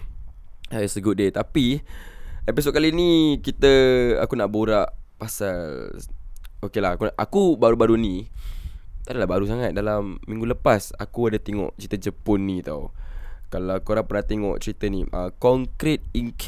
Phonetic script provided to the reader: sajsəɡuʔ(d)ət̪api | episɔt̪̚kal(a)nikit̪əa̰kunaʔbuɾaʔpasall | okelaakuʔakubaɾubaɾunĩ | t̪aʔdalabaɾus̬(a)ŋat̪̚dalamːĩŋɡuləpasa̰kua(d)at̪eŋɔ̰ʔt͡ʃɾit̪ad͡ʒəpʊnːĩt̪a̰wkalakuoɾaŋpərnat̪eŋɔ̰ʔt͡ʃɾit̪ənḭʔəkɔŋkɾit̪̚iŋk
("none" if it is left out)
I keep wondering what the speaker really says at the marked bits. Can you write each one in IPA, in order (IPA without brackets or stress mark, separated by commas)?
d, i, a, d